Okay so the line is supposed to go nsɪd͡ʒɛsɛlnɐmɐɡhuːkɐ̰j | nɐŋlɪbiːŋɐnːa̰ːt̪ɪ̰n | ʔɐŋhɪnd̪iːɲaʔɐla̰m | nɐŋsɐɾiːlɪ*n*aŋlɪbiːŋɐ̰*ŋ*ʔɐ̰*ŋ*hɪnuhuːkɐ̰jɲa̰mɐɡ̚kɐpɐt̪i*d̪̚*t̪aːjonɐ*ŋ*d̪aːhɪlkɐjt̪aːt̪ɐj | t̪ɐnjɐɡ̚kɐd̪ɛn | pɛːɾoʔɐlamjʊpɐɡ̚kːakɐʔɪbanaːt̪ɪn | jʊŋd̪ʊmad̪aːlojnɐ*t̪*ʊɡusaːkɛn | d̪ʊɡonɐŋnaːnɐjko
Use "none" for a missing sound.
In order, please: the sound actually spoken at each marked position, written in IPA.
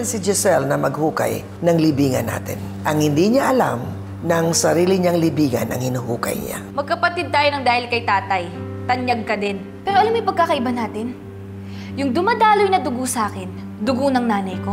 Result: ɲ, n, ŋ, d̪̚, ŋ, d̪

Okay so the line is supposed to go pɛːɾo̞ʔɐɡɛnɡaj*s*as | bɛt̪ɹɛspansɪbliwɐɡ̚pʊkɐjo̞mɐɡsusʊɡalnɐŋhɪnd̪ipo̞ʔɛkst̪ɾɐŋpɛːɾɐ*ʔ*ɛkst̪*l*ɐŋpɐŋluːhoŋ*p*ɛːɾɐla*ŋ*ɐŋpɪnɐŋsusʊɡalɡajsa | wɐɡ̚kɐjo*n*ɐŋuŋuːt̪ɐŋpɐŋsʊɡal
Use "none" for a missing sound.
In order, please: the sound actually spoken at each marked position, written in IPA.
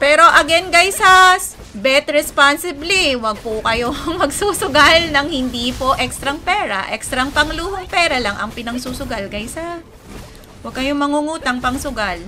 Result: s, ʔ, ɾ, p, ŋ, m

